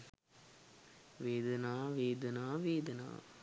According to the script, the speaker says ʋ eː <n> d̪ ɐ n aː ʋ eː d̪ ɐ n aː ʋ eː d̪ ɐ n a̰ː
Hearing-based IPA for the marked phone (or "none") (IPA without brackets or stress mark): none